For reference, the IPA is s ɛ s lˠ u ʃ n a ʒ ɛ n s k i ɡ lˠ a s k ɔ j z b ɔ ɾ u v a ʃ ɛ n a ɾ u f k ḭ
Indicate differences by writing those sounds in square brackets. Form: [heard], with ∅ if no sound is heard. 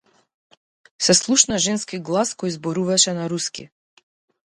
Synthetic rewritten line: s ɛ s lˠ u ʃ n a ʒ ɛ n s k i ɡ lˠ a s k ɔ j z b ɔ ɾ u v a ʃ ɛ n a ɾ u [s] k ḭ